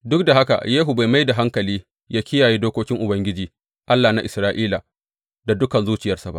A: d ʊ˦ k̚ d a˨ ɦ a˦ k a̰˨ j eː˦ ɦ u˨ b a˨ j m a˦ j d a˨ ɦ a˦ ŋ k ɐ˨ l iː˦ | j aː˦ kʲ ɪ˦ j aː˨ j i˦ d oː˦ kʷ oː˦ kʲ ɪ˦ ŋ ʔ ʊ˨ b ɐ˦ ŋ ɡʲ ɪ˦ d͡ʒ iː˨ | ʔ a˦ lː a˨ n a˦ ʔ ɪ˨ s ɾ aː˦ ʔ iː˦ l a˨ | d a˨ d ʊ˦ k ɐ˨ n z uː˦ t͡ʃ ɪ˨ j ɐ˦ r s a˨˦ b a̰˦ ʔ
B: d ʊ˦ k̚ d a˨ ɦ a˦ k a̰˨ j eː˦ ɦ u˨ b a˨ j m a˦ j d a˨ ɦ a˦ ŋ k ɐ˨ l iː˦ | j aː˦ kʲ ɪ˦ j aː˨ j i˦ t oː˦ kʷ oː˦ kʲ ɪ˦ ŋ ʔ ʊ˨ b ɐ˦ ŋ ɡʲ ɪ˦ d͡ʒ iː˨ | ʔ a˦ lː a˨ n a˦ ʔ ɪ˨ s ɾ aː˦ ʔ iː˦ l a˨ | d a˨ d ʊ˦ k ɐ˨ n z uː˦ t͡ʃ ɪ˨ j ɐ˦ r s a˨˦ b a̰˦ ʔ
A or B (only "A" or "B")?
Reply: A